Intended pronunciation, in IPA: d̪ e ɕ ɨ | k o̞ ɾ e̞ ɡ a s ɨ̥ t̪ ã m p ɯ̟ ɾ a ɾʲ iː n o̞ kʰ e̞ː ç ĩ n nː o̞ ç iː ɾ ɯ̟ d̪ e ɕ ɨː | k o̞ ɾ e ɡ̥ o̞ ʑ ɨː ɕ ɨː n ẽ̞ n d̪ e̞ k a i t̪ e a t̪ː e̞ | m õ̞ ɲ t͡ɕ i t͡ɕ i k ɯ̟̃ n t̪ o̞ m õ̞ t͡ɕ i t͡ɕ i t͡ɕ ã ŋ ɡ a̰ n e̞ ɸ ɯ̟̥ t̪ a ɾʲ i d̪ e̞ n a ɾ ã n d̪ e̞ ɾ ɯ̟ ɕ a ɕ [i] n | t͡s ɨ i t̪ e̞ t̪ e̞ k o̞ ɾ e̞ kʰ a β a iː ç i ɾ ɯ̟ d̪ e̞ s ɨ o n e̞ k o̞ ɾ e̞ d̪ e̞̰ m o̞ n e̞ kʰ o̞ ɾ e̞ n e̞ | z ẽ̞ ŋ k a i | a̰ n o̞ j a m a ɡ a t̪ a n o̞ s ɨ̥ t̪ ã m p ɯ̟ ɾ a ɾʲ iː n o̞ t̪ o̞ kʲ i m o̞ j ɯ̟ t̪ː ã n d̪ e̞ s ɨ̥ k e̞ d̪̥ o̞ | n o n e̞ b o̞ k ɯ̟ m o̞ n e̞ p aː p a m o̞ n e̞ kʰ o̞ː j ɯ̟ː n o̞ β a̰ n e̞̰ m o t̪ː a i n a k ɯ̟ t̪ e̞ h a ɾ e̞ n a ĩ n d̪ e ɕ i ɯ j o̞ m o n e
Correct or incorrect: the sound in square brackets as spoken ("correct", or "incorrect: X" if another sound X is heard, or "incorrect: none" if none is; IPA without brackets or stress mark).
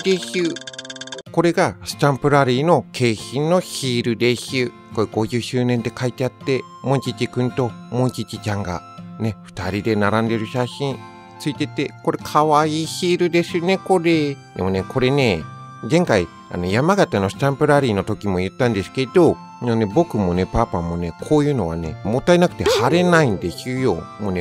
incorrect: ĩ